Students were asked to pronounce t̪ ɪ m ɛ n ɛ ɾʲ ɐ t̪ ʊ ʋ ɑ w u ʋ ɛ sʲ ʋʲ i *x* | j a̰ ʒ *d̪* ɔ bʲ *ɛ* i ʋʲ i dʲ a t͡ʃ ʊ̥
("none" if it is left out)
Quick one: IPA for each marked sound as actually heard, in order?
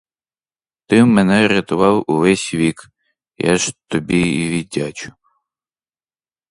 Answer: k, t̪, i

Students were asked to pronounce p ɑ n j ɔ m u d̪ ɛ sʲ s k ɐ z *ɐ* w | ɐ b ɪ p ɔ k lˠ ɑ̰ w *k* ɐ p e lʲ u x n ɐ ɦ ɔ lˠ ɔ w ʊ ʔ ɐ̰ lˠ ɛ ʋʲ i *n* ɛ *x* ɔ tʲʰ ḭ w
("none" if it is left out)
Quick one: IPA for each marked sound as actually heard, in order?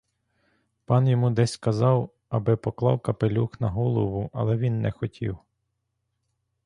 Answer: ɑ, k, nː, x

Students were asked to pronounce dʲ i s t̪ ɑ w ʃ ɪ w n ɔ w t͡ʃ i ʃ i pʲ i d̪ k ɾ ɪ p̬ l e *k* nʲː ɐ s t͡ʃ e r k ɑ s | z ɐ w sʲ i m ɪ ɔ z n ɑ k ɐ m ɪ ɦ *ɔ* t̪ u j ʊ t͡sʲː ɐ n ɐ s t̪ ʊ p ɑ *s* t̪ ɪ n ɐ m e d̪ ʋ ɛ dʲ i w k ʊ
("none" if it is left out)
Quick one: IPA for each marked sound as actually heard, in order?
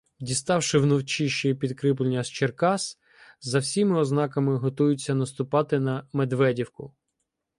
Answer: none, ɔ, none

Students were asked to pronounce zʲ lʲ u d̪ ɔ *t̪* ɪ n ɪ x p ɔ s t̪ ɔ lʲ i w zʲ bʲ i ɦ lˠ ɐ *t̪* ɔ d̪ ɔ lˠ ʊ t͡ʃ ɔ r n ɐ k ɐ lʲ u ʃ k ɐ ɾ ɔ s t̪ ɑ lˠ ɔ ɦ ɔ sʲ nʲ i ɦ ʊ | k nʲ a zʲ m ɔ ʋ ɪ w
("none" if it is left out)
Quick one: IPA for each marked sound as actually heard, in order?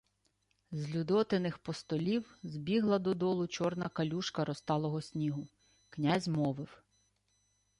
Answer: t̪, d̪

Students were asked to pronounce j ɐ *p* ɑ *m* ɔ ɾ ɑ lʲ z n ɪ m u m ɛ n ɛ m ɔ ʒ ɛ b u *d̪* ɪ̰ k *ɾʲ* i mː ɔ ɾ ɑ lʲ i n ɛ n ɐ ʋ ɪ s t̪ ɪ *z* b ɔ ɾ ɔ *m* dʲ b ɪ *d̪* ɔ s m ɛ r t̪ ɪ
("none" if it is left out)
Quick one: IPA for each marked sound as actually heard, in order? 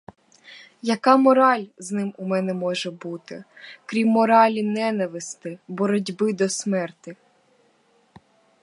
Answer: k, m, t̪, ɾʲ, none, none, d̪

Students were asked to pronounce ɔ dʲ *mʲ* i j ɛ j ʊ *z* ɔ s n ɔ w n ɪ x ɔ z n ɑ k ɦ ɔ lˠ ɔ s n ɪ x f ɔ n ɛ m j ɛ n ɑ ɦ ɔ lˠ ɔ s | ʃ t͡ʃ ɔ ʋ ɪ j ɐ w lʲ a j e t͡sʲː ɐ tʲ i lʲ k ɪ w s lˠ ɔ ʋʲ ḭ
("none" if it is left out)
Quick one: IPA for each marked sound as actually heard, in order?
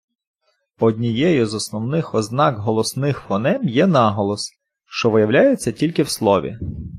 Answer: nʲ, z

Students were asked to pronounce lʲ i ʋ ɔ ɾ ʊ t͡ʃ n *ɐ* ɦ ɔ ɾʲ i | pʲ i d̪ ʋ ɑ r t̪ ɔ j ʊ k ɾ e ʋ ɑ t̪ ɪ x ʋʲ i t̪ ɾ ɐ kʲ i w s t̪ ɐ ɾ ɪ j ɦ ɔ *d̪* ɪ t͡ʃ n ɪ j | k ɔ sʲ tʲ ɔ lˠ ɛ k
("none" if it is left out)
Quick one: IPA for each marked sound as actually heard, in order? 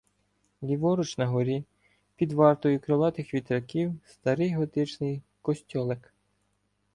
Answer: ɐ, t̪

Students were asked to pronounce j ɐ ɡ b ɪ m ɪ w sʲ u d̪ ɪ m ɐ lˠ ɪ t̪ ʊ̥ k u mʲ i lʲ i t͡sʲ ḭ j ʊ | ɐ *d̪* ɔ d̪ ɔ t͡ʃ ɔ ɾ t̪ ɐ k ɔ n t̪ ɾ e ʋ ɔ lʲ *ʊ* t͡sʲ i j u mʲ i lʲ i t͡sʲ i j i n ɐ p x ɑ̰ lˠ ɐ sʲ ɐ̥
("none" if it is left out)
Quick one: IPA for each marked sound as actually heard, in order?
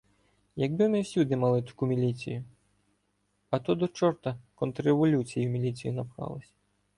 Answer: t̪, u

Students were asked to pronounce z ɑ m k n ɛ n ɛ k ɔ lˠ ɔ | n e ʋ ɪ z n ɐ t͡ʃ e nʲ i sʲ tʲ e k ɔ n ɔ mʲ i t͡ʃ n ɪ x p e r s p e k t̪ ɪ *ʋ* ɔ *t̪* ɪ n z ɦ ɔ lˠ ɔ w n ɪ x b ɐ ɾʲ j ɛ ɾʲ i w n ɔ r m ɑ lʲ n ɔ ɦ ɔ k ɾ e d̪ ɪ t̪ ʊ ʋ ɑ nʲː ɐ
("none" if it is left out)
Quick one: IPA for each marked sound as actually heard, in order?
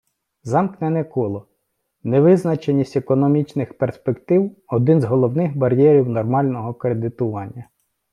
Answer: w, d̪

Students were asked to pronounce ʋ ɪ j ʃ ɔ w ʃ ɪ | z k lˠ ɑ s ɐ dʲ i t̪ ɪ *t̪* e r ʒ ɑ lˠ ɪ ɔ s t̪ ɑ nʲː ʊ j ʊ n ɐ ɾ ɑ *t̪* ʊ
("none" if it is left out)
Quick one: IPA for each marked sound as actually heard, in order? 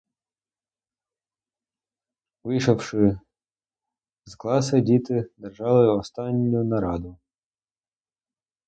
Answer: d̪, d̪

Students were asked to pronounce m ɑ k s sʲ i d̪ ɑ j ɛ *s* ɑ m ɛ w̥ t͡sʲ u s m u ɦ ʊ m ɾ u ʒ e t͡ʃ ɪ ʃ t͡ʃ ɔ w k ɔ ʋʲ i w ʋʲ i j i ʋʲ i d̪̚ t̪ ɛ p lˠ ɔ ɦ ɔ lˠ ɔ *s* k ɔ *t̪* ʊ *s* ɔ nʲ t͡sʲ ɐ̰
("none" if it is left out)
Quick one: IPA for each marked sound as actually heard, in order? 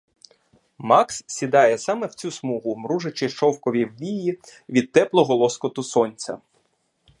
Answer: s, s, t̪, s

